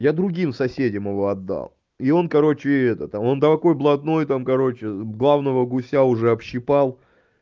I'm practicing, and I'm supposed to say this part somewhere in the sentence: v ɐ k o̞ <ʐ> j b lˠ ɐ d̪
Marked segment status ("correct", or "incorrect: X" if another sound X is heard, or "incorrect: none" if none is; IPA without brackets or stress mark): incorrect: none